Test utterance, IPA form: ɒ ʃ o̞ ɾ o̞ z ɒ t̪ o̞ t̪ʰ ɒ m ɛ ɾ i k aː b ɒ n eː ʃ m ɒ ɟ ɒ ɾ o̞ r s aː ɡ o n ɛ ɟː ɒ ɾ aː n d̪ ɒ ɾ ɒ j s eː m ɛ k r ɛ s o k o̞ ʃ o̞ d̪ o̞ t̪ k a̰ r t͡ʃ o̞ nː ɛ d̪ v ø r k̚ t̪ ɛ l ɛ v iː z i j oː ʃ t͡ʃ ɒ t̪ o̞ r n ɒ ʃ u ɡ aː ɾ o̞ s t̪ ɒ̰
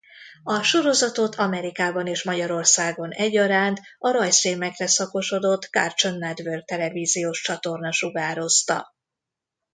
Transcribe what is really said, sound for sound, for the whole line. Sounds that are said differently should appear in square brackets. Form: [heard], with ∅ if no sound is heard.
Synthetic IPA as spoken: ɒ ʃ o̞ ɾ o̞ z ɒ t̪ o̞ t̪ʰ ɒ m ɛ ɾ i k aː b ɒ n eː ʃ m ɒ ɟ ɒ ɾ o̞ r s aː ɡ o n ɛ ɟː ɒ ɾ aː n [t̪] ɒ ɾ ɒ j s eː m ɛ k r ɛ s [ɒ] k o̞ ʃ o̞ d̪ o̞ t̪ k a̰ r t͡ʃ o̞ nː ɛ d̪ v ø r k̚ t̪ ɛ l ɛ v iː z i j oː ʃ t͡ʃ ɒ t̪ o̞ r n ɒ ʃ u ɡ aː ɾ o̞ s t̪ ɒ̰